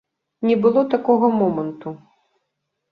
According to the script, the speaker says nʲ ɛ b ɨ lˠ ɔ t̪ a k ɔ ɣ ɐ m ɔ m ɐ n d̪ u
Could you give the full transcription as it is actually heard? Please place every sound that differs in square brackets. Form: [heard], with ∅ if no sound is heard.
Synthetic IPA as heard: nʲ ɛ b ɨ lˠ ɔ t̪ a k ɔ ɣ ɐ m ɔ m ɐ n [t̪] u